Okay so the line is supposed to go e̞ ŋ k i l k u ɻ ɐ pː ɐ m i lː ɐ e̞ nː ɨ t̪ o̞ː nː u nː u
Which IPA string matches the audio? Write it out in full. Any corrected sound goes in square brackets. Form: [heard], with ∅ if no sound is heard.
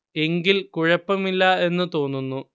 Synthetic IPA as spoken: e̞ ŋ [ɡ] i l k u ɻ ɐ pː ɐ m i lː ɐ e̞ nː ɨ t̪ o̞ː nː u nː u

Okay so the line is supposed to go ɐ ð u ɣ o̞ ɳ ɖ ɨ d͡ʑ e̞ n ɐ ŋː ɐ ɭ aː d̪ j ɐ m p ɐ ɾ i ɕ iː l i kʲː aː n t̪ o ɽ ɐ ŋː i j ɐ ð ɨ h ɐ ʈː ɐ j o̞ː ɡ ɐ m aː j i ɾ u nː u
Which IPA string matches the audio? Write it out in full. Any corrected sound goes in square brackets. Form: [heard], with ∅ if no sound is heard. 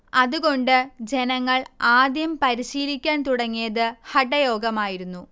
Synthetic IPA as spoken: ɐ ð u ɣ o̞ ɳ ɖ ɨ d͡ʑ e̞ n ɐ ŋː ɐ ɭ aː d̪ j ɐ m p ɐ ɾ i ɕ iː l i kʲː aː n t̪ [u] ɽ ɐ ŋː i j ɐ ð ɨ h ɐ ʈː ɐ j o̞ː ɡ ɐ m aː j i ɾ u nː u

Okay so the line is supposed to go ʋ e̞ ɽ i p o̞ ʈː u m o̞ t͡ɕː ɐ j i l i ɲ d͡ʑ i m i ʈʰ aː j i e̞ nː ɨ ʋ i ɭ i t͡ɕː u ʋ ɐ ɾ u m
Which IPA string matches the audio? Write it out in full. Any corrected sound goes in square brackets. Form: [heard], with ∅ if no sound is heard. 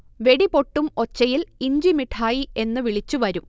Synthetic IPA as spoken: ʋ e̞ ɽ i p o̞ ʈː u m o̞ t͡ɕː ɐ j i l i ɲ d͡ʑ i m i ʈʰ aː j i e̞ nː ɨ ʋ i ɭ i t͡ɕː u ʋ ɐ ɾ u m

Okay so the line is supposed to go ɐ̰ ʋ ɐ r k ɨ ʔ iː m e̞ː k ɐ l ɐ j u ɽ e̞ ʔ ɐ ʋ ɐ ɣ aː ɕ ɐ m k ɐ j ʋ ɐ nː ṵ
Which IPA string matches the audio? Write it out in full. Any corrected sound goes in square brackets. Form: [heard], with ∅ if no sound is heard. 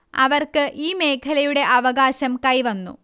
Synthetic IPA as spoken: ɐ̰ ʋ ɐ r k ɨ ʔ iː m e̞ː [kʰ] ɐ l ɐ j u ɽ e̞ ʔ ɐ ʋ ɐ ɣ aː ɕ ɐ m k ɐ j ʋ ɐ nː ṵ

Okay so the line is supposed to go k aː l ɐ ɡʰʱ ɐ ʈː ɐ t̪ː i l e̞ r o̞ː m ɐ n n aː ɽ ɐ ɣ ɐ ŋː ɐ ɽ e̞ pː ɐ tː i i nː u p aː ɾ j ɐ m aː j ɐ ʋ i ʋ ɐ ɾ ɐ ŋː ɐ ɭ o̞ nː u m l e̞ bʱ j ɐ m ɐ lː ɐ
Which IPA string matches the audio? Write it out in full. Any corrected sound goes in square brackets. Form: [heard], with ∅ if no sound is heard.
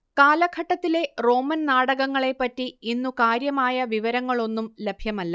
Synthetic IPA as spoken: k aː l ɐ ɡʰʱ ɐ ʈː ɐ t̪ː i l e̞ r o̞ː m ɐ n n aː ɽ ɐ ɣ ɐ ŋː ɐ [ɭ] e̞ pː ɐ tː i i nː u [k] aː ɾ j ɐ m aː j ɐ ʋ i ʋ ɐ ɾ ɐ ŋː ɐ ɭ o̞ nː u m l e̞ bʱ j ɐ m ɐ lː ɐ

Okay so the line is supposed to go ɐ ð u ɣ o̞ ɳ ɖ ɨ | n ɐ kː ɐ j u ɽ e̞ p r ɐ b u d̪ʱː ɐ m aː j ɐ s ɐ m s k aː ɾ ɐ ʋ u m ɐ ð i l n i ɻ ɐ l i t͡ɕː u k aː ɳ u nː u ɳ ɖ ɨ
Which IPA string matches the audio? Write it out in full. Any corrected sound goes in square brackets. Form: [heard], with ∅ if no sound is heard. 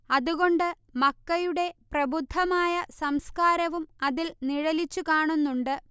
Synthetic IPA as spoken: ɐ ð u ɣ o̞ ɳ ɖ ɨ | [m] ɐ kː ɐ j u ɽ e̞ p r ɐ b u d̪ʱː ɐ m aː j ɐ s ɐ m s k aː ɾ ɐ ʋ u m ɐ ð i l n i ɻ ɐ l i t͡ɕː u k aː ɳ u nː u ɳ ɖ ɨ

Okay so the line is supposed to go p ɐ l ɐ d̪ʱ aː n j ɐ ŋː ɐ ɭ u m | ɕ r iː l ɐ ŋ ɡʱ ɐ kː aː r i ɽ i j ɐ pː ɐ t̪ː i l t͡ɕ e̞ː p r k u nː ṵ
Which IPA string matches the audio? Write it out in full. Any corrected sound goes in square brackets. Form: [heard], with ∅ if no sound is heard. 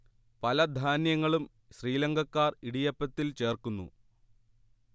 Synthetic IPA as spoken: p ɐ l ɐ d̪ʱ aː n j ɐ ŋː ɐ ɭ u m | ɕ r iː l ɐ ŋ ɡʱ ɐ kː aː r i ɽ i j ɐ pː ɐ t̪ː i l t͡ɕ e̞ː [∅] r k u nː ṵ

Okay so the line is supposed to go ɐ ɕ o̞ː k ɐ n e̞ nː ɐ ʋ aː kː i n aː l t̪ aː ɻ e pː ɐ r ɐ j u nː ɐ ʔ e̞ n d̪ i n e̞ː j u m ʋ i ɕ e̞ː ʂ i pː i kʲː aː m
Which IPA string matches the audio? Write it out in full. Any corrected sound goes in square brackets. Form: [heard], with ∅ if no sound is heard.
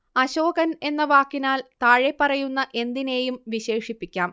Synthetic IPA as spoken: ɐ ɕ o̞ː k ɐ n e̞ nː ɐ ʋ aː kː i n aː l t̪ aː ɻ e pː ɐ r ɐ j u nː ɐ ʔ e̞ n d̪ i n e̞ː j u m ʋ i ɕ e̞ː ʂ i pː i kʲː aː m

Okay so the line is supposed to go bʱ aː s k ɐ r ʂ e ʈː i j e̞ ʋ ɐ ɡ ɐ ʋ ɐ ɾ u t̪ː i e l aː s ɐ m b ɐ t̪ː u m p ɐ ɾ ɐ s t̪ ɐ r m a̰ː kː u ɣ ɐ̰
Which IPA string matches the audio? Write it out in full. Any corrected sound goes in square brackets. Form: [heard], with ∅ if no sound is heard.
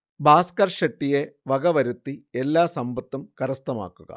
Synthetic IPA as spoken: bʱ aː s k ɐ r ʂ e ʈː i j e̞ ʋ ɐ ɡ ɐ ʋ ɐ ɾ u t̪ː i e [lː] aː s ɐ m b ɐ t̪ː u m [k] ɐ ɾ ɐ s t̪ ɐ [∅] m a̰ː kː u ɣ ɐ̰

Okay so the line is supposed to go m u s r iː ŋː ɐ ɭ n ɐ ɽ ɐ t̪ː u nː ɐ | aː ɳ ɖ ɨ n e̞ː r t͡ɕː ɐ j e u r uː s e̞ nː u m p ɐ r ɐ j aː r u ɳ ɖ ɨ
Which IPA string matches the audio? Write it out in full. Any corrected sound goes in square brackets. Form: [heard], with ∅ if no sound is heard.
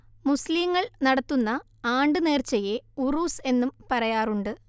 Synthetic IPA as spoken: m u s [l] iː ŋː ɐ ɭ n ɐ ɽ ɐ t̪ː u nː ɐ | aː ɳ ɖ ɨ n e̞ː r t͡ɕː ɐ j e u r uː s e̞ nː u m p ɐ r ɐ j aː r u ɳ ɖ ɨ

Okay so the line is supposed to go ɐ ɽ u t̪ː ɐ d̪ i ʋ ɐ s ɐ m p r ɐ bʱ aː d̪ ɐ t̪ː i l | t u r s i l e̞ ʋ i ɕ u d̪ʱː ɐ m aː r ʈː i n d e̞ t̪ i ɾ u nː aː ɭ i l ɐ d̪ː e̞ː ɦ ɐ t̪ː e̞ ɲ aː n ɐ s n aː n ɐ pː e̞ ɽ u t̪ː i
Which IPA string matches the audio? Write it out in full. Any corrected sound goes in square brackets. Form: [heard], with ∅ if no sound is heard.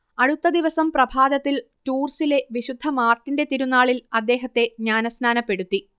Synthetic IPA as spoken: ɐ ɽ u t̪ː ɐ d̪ i ʋ ɐ s ɐ m p r ɐ bʱ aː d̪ ɐ t̪ː i l | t [uː] r s i l e̞ ʋ i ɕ u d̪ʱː ɐ m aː r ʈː i n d e̞ t̪ i ɾ u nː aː ɭ i l ɐ d̪ː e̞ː ɦ ɐ t̪ː e̞ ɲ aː n ɐ s n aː n ɐ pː e̞ ɽ u t̪ː i

